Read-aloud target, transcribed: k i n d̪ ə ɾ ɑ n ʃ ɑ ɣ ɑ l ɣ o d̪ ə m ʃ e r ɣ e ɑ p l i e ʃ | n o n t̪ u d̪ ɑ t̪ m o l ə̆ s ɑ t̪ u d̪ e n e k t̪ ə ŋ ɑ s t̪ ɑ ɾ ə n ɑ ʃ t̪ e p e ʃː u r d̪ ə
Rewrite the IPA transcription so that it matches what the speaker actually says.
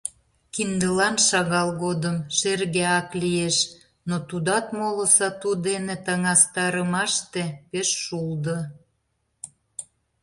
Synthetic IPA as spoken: k i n d̪ ə l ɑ n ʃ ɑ ɣ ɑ l ɣ o d̪ ə m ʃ e r ɣ e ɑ k l i e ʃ | n o t̪ u d̪ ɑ t̪ m o l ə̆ s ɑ t̪ u d̪ e n e t̪ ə ŋ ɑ s t̪ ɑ ɾ ə m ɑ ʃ t̪ e p e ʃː u l d̪ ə